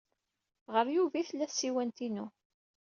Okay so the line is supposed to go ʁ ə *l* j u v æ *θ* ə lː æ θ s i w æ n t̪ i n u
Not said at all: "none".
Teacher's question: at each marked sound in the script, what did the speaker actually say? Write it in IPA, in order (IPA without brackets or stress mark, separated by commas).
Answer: ɾ, θ